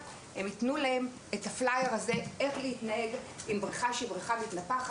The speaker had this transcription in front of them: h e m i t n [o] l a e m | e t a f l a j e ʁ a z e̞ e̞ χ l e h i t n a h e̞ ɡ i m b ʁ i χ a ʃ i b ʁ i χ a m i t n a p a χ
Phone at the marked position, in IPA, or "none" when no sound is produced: u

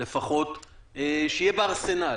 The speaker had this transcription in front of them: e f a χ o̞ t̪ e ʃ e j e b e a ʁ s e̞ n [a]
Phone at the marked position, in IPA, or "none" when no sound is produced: a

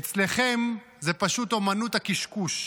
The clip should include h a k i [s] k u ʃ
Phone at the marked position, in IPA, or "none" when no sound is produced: ʃ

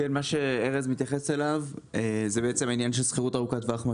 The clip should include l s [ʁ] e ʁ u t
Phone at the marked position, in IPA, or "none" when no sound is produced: χ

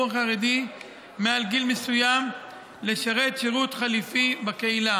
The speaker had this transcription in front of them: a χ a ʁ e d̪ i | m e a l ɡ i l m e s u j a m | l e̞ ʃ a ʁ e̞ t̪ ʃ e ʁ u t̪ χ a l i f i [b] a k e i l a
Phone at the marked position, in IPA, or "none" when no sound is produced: b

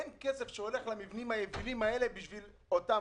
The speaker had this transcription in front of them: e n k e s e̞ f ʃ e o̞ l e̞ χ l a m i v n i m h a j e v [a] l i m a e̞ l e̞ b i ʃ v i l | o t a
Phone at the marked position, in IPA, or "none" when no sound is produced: i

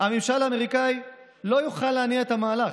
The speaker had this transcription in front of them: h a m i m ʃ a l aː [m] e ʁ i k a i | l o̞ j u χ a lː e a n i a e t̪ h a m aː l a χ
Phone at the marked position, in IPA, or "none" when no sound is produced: m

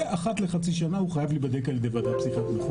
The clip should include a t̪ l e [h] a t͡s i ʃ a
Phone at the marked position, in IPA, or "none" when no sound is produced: χ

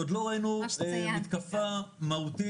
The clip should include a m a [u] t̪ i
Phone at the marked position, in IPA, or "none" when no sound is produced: u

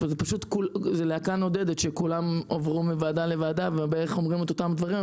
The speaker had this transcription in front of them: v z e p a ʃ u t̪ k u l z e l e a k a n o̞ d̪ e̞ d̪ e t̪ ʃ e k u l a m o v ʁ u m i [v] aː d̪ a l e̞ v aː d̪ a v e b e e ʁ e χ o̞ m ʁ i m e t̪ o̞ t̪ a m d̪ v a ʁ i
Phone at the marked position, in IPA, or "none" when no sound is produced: v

